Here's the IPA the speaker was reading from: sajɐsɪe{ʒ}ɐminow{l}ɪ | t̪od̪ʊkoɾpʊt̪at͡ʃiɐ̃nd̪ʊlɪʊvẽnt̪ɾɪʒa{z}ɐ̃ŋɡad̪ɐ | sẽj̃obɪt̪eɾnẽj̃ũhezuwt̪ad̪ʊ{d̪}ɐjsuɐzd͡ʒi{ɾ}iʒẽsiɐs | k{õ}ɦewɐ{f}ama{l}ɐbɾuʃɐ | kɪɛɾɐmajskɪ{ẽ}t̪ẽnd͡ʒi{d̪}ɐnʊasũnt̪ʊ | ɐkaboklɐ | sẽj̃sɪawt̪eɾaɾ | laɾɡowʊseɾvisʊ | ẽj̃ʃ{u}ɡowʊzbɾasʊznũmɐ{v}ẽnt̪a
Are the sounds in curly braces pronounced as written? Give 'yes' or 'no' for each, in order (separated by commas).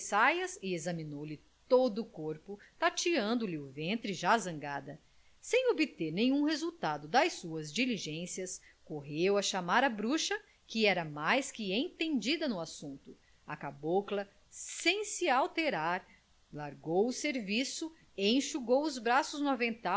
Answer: no, yes, yes, yes, no, no, no, no, yes, yes, yes, yes